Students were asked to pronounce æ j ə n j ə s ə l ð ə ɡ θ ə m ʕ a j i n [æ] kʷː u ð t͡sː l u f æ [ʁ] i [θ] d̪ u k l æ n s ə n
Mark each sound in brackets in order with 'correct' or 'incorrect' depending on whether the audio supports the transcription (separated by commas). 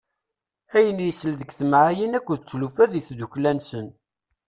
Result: correct, incorrect, correct